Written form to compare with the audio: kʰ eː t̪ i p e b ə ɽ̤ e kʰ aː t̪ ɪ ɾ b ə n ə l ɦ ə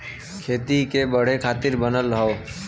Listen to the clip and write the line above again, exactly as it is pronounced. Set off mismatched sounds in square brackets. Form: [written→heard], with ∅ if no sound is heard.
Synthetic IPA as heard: kʰ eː t̪ i [p→k] e b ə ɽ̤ e kʰ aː t̪ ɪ ɾ b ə n ə l ɦ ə